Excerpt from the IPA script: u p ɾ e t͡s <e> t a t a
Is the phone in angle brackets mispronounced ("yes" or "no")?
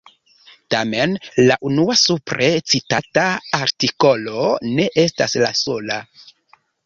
yes